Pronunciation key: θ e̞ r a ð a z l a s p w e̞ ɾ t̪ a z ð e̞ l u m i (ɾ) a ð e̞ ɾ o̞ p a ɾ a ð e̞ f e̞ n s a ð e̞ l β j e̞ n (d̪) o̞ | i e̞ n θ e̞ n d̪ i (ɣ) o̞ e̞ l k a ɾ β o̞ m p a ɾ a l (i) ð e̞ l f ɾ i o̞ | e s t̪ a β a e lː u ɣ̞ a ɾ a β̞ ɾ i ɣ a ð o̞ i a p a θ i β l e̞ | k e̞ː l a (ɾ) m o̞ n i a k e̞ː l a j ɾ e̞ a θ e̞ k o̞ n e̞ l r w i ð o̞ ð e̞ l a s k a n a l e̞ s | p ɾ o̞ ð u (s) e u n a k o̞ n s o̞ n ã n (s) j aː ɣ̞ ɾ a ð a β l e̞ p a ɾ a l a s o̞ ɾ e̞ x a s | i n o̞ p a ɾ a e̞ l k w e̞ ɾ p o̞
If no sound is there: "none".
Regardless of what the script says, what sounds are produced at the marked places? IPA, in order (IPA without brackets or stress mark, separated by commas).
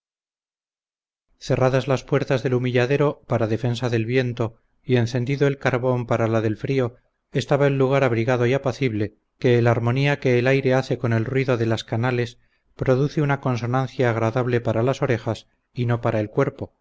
ʎ, t̪, ð, a, ɾ, θ, θ